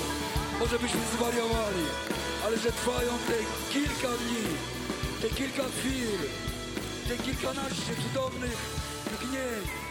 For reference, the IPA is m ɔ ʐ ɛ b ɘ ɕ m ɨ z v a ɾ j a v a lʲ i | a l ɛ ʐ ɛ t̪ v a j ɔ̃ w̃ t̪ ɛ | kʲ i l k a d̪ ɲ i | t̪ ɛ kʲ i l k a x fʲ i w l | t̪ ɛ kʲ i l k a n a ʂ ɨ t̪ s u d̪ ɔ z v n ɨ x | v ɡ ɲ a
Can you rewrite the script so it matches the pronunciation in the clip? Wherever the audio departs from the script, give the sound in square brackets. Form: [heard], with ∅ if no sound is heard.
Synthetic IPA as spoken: m ɔ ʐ ɛ b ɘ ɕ m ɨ z v a ɾ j a v a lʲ i | a l ɛ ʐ ɛ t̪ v a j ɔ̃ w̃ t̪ ɛ | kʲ i l k a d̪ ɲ i | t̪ ɛ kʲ i l k a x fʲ i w l | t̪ ɛ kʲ i l k a n a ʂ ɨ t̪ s u d̪ ɔ [∅] v n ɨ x | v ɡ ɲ [ɛ]